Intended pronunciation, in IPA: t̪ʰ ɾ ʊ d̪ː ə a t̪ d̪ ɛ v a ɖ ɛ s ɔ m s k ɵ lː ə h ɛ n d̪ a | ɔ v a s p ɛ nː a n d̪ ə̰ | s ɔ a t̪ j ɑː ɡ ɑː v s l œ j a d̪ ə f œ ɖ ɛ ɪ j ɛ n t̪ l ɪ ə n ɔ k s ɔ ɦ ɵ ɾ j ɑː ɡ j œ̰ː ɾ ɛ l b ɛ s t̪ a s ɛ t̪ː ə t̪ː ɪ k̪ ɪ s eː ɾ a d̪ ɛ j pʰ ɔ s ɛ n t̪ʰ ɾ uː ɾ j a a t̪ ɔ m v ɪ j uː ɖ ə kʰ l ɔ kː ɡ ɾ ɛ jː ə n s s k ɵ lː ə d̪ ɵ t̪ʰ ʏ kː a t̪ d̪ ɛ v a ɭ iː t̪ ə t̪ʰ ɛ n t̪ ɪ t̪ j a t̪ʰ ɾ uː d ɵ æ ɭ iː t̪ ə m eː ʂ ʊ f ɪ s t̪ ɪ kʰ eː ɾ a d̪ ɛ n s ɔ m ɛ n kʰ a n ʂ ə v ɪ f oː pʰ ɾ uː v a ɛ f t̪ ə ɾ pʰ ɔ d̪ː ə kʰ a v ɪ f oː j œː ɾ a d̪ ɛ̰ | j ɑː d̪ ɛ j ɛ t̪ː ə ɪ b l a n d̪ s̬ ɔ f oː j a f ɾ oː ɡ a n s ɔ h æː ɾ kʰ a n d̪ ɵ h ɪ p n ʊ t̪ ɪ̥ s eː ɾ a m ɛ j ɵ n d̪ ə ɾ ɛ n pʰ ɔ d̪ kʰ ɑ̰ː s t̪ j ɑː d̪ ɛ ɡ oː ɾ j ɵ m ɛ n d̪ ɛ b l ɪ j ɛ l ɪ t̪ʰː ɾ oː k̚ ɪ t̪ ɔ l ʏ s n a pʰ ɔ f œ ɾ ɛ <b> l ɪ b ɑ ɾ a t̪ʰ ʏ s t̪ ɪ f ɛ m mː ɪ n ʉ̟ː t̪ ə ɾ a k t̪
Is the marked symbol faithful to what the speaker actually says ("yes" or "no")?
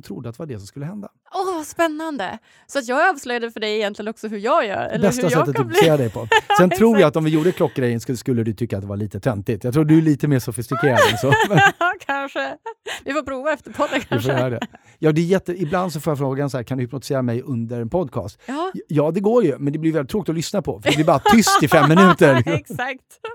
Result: yes